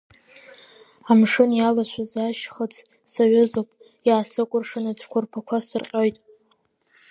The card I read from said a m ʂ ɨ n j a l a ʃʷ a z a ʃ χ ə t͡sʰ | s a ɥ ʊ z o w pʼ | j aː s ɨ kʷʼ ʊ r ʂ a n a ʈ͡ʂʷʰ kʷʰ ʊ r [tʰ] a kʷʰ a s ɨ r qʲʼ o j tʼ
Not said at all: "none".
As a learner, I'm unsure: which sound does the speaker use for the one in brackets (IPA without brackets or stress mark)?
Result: pʰ